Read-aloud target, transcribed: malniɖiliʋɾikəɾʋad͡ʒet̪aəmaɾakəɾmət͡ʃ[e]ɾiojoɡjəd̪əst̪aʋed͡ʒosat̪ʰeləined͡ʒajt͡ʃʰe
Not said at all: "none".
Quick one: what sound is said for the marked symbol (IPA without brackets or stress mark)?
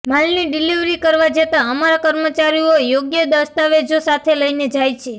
a